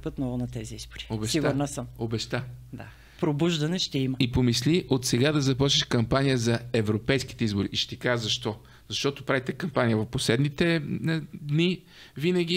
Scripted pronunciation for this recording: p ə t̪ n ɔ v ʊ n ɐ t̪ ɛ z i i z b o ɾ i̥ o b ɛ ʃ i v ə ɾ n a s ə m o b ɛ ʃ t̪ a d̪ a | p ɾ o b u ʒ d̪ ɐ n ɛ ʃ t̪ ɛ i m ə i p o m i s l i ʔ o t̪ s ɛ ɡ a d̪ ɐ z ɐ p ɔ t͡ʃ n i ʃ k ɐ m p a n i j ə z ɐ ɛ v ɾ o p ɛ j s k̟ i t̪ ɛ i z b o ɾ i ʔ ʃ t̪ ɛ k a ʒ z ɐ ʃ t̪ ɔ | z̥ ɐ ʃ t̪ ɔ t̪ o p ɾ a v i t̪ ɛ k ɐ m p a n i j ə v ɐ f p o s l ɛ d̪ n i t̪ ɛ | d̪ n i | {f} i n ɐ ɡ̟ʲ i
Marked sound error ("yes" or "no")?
yes